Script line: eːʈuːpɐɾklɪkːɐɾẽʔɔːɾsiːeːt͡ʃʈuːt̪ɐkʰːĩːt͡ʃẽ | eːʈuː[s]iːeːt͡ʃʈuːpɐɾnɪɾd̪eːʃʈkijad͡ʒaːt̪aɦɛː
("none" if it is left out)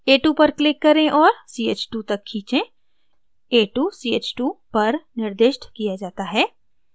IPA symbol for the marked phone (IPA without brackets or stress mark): s